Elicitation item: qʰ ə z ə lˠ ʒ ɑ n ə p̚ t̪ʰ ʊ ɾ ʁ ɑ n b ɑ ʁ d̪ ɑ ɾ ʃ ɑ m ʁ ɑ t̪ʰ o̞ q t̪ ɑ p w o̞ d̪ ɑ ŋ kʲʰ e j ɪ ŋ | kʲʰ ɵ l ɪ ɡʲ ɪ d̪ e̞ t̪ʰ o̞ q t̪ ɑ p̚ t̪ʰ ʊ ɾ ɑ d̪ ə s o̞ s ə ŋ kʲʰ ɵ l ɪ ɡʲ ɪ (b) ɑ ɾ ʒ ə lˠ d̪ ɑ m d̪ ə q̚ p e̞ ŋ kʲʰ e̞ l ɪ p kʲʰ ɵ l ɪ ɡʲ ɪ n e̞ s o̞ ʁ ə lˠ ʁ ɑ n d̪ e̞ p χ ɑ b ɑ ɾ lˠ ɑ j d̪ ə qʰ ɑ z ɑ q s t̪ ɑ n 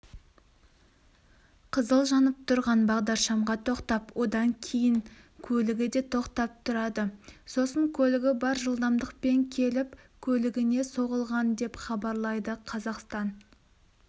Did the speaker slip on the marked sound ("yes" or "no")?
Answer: no